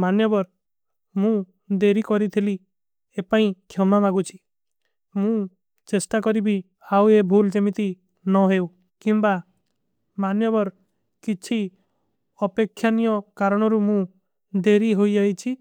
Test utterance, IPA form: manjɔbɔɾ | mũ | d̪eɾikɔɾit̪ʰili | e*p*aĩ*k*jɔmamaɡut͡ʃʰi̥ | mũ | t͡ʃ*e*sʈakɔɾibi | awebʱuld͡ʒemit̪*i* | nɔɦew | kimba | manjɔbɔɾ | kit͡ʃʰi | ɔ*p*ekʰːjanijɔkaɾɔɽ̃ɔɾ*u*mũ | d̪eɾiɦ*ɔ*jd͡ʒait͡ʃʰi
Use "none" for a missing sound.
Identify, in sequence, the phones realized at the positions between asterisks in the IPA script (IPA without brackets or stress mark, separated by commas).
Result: p, kʰ, e, i, p, u, o